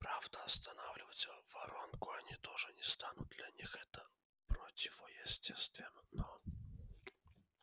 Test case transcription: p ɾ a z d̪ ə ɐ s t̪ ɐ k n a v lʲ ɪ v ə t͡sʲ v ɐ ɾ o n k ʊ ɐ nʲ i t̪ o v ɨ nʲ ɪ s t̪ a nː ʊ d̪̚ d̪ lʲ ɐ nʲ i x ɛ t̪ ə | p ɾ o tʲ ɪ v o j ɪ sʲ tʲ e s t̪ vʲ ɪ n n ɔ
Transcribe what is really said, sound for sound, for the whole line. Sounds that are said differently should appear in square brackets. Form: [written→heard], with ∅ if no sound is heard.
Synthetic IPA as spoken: p ɾ a [z→v] d̪ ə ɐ s t̪ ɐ [k→∅] n a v lʲ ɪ v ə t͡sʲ v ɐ ɾ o n k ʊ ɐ nʲ i t̪ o [v→ʐ] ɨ nʲ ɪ s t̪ a [nː→n] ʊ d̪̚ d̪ lʲ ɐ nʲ i x ɛ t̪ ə | p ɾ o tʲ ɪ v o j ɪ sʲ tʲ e s t̪ vʲ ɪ n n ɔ